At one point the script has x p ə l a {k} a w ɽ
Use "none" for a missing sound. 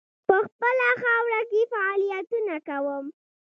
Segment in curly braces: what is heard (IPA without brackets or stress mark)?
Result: x